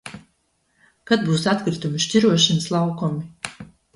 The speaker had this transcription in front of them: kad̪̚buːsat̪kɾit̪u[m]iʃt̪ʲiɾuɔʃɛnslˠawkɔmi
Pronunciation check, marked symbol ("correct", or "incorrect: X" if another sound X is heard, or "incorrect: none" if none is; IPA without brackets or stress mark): correct